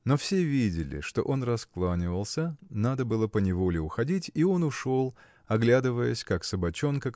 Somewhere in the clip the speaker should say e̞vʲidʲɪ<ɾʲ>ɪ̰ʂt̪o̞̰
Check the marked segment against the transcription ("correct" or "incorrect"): incorrect